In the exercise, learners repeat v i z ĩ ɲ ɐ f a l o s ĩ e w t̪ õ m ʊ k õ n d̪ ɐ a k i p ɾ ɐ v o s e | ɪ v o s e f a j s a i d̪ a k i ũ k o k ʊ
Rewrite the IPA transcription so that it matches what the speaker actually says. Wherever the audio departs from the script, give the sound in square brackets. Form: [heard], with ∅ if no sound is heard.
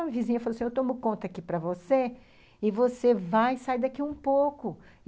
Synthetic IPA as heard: v i z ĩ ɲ ɐ f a l o s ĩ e w t̪ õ m ʊ k õ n [t̪] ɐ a k i p ɾ ɐ v o s e | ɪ v o s e [v] a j s a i d̪ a k i ũ [p] o k ʊ